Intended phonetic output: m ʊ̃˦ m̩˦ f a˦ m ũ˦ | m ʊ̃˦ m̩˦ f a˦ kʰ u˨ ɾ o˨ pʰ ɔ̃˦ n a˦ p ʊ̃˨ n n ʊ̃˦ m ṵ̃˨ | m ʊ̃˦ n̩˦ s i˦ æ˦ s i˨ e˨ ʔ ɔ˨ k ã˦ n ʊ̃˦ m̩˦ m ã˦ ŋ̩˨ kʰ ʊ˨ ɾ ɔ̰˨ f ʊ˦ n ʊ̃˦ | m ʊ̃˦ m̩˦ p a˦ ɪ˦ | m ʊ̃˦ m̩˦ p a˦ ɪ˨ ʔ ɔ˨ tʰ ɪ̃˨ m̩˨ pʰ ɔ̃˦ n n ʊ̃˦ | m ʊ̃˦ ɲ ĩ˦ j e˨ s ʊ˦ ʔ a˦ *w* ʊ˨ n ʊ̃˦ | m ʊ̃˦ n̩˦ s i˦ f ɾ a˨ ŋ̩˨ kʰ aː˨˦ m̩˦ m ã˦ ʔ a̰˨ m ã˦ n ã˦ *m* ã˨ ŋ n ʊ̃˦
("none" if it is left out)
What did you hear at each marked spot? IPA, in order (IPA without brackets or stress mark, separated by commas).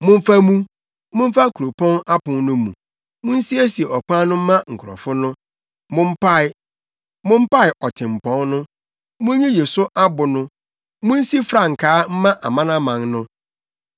b, m